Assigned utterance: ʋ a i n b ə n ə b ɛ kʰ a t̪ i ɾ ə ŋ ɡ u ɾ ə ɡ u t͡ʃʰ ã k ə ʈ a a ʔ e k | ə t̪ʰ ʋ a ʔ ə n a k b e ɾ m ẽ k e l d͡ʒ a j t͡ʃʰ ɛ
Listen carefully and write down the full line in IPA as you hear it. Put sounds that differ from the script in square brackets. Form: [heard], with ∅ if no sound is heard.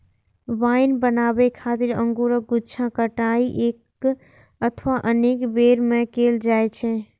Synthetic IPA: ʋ a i n b ə n [a] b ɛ kʰ a t̪ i ɾ ə ŋ ɡ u ɾ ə ɡ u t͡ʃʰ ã k ə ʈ a [i] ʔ e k | ə t̪ʰ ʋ a ʔ ə n [e] k b e ɾ m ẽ k e l d͡ʒ a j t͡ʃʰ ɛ